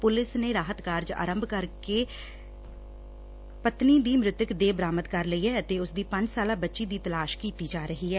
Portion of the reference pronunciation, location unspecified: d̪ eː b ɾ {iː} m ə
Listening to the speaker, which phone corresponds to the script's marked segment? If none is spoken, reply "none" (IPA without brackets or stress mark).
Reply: aː